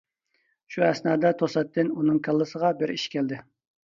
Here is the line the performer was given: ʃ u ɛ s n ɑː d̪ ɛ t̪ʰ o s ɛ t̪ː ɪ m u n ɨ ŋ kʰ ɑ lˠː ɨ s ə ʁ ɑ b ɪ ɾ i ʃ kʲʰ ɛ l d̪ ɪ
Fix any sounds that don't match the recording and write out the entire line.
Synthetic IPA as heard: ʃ u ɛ s n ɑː d̪ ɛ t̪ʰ o s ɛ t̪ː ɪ n u n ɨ ŋ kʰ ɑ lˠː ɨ s ə ʁ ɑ b ɪ ɾ i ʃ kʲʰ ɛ l d̪ ɪ